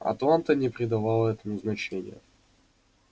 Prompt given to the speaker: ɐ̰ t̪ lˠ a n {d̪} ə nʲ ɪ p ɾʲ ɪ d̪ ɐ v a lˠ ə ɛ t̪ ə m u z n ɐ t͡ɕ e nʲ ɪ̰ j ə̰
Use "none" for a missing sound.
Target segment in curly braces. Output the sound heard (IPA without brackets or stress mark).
t̪